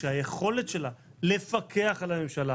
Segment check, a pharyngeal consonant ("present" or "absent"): absent